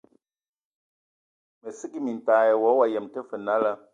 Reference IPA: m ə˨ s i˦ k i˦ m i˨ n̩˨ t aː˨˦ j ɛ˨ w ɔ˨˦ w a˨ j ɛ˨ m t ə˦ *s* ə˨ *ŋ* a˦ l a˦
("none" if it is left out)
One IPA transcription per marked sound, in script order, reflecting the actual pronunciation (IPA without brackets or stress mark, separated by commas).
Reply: f, n